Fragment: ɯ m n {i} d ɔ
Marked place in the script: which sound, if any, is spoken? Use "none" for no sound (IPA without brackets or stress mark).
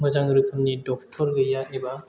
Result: i